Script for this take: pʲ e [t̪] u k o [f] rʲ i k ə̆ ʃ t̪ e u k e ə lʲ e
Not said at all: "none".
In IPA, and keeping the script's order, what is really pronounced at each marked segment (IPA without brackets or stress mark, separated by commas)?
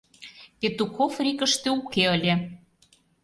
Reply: t̪, f